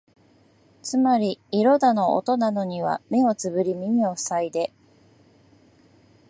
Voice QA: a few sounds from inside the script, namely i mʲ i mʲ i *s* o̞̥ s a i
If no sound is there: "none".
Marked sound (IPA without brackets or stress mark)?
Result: none